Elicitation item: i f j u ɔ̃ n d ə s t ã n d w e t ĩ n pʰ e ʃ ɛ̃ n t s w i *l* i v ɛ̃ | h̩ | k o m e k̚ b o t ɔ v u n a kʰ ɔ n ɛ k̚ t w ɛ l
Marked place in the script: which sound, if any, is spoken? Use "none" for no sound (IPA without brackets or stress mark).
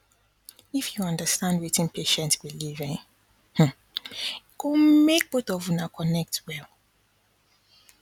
l